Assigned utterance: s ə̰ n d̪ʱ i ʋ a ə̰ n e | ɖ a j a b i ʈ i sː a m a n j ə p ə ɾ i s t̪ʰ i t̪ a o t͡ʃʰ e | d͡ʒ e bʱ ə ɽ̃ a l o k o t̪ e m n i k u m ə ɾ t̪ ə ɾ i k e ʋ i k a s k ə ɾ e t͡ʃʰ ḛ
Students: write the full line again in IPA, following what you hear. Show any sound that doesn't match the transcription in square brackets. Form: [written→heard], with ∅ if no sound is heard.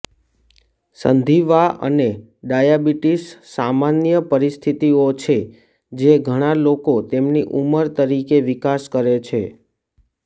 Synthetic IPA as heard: s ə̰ n d̪ʱ i ʋ a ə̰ n e | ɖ a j a b i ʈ i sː a m a n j ə p ə ɾ i s t̪ʰ i t̪ [a→i] o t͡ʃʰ e | d͡ʒ e [bʱ→ɡʱ] ə ɽ̃ a l o k o t̪ e m n i [k→ʔ] u m ə ɾ t̪ ə ɾ i k e ʋ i k a s k ə ɾ e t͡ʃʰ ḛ